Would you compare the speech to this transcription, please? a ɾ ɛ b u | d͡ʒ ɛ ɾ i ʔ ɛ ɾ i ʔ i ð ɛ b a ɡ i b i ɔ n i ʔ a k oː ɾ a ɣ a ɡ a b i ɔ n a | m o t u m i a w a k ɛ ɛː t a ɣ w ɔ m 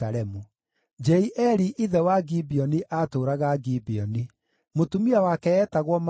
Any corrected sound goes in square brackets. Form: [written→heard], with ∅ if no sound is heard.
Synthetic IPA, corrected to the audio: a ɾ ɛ [b→m] u | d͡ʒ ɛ [ɾ→∅] i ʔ ɛ ɾ i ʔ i ð ɛ [b→w] a ɡ i b i ɔ n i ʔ a [k→t] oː ɾ a ɣ a ɡ [a→i] b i ɔ n [a→i] | m o t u m i a w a k ɛ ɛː t a ɣ w ɔ m